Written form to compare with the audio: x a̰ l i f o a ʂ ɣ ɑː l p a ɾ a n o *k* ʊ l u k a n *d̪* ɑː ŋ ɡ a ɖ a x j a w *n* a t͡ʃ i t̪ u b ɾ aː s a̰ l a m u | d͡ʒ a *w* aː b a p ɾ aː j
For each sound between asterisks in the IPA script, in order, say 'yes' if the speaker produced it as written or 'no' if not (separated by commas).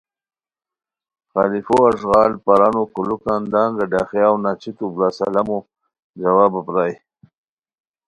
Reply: yes, yes, yes, yes